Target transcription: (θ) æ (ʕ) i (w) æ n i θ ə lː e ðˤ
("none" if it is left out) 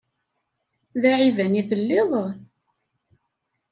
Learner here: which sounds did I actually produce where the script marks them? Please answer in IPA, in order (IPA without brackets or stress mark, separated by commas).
ð, ʕ, v